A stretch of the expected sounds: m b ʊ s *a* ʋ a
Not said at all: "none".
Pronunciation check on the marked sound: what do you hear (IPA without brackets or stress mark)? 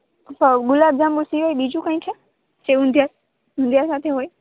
i